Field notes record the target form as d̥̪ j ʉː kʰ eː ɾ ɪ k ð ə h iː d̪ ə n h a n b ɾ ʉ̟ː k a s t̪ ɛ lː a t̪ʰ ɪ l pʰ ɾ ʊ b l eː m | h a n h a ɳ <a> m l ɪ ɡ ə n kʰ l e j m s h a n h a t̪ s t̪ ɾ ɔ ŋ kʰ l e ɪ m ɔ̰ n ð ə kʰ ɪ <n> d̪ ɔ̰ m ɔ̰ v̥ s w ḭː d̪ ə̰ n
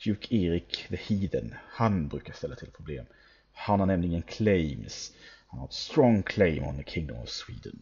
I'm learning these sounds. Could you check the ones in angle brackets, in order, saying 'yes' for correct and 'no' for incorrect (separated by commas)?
no, no